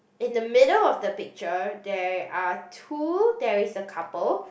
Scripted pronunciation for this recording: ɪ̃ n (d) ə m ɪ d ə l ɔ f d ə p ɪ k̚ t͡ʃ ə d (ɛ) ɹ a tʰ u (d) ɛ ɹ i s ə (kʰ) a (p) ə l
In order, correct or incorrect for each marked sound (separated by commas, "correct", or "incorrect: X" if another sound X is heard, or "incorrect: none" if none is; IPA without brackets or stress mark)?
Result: correct, correct, correct, correct, correct